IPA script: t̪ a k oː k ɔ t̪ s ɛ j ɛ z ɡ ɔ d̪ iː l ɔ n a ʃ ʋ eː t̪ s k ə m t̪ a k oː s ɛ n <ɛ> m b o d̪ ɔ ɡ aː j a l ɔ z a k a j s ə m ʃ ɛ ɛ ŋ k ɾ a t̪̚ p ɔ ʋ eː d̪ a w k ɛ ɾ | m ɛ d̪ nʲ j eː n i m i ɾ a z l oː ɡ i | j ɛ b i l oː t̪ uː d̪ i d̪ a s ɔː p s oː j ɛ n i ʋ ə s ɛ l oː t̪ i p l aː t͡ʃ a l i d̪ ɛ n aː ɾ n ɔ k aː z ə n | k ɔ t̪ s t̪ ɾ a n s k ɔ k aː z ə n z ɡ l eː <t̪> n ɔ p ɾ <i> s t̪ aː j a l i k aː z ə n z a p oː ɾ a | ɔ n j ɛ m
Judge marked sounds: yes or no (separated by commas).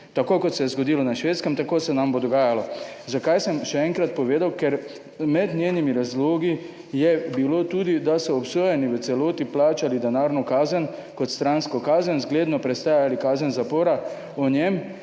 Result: no, no, no